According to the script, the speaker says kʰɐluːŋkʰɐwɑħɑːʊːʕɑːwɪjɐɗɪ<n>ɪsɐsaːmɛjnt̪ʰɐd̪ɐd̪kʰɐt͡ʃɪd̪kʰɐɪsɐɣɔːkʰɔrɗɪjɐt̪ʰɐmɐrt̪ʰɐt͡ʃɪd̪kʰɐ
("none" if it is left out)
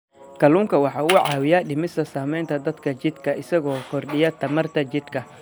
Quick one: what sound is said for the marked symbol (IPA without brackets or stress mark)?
m